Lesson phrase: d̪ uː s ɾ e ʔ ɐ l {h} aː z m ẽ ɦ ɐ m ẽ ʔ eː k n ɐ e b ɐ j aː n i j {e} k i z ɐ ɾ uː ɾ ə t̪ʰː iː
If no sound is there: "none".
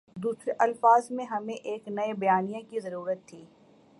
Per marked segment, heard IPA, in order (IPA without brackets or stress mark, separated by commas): f, a